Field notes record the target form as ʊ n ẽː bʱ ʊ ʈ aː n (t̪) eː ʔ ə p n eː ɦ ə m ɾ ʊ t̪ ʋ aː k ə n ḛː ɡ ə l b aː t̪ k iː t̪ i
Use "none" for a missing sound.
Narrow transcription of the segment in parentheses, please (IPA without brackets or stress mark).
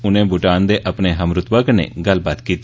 d̪